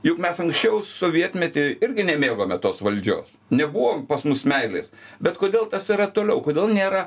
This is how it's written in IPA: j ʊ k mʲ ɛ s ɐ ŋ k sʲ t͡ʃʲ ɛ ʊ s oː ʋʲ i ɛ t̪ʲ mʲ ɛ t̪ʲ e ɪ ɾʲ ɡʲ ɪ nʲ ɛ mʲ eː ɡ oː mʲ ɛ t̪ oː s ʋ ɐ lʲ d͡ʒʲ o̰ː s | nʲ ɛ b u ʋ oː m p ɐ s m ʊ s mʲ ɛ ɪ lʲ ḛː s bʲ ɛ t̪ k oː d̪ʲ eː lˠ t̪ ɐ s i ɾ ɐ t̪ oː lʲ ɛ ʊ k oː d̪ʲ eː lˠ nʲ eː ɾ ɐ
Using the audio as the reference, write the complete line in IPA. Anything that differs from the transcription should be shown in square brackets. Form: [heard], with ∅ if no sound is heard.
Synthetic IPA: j ʊ k mʲ ɛ s ɐ ŋ k sʲ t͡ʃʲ ɛ ʊ s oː ʋʲ i ɛ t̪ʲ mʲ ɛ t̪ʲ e ɪ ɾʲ ɡʲ ɪ nʲ ɛ mʲ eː ɡ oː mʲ ɛ t̪ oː s ʋ ɐ lʲ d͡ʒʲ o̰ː s | nʲ ɛ b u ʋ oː m p ɐ s m ʊ s mʲ ɛ ɪ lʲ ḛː s bʲ ɛ t̪ k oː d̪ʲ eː lˠ t̪ ɐ s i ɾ ɐ t̪ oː lʲ ɛ ʊ k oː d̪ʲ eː lˠ nʲ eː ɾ ɐ